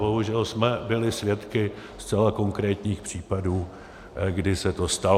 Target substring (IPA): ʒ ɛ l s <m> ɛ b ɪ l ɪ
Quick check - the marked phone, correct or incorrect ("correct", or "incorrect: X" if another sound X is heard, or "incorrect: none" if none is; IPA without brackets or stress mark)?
correct